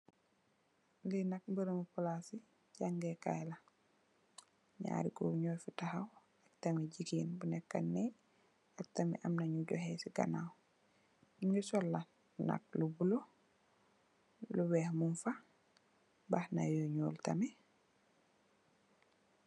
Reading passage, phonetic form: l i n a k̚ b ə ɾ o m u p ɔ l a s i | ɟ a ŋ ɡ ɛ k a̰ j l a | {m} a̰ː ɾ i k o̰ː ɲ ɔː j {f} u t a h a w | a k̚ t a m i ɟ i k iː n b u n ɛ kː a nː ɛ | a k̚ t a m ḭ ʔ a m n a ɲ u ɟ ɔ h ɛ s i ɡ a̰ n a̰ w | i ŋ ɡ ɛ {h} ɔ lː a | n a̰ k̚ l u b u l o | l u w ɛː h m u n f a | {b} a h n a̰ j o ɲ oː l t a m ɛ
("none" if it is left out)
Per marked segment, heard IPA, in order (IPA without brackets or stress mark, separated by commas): ɲ, f, s, b